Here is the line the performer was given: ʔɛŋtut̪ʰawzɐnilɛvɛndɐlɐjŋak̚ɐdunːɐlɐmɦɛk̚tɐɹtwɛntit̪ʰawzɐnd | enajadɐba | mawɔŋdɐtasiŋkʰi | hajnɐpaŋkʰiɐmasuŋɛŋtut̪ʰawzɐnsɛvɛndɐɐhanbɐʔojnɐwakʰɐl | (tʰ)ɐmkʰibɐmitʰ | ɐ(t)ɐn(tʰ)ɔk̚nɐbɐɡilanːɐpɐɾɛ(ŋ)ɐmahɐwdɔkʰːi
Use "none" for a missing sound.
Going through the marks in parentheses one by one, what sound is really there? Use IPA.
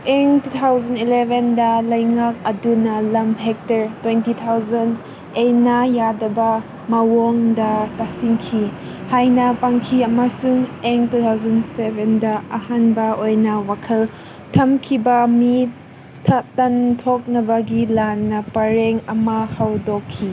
tʰ, t, tʰ, ŋ

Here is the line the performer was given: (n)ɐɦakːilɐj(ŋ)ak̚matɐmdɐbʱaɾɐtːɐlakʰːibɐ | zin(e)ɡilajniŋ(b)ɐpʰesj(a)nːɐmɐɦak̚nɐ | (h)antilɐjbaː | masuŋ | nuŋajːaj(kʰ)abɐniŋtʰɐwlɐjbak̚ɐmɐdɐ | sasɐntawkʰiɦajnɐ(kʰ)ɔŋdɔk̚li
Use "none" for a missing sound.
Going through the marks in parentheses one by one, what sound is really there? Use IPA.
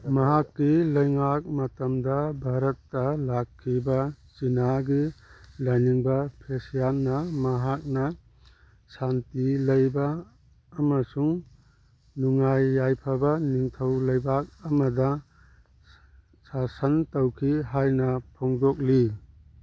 m, ŋ, a, b, a, s, pʰ, pʰ

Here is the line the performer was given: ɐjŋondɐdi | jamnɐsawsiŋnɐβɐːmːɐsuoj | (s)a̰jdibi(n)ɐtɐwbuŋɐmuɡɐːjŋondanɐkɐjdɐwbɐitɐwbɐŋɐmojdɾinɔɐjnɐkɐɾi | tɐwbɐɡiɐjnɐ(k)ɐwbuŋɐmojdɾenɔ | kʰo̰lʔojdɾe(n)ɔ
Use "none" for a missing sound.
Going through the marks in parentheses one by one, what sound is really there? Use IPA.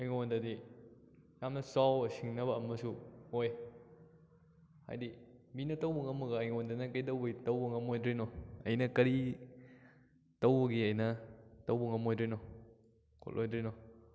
h, n, t, n

